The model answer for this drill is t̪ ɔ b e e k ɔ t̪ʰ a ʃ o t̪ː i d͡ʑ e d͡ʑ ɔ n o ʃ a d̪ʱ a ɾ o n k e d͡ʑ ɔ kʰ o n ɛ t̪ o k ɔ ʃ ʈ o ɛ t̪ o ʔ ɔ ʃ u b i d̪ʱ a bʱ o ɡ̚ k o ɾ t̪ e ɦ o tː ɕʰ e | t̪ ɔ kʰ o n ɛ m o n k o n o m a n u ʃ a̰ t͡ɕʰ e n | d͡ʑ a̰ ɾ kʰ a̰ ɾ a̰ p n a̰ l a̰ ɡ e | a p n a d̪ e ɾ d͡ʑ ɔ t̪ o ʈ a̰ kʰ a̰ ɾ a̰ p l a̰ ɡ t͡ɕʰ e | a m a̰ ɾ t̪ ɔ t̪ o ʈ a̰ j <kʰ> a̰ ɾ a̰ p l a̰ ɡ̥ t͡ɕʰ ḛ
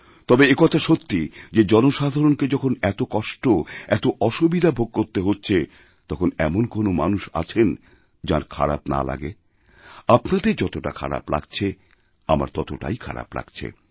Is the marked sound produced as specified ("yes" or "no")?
yes